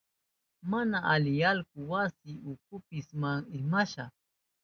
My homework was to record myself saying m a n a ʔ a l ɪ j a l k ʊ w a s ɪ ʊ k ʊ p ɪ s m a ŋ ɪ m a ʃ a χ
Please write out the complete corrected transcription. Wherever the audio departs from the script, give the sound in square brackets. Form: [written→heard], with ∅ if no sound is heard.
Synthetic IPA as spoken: m a n a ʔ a l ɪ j a l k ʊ w a s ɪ ʊ k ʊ p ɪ s m a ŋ ɪ m a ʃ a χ